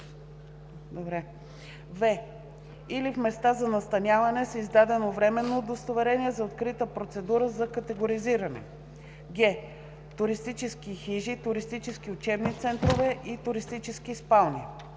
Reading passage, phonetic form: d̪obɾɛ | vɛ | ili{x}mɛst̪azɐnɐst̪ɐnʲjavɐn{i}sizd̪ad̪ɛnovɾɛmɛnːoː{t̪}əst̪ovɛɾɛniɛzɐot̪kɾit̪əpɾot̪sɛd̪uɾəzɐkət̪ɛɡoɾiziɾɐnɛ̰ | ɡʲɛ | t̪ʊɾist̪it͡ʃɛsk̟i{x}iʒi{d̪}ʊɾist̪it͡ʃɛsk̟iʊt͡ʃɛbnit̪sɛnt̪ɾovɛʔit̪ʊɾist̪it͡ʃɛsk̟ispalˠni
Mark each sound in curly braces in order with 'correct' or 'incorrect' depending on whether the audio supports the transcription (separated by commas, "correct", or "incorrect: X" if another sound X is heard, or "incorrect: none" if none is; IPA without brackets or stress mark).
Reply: incorrect: f, incorrect: ɛ, incorrect: d̪, correct, incorrect: t̪